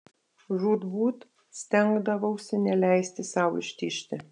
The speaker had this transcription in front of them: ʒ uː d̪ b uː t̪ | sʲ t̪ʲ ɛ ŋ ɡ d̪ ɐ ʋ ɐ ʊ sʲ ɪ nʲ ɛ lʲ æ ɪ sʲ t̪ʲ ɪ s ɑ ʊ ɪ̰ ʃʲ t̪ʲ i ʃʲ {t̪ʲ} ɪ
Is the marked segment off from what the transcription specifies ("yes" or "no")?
no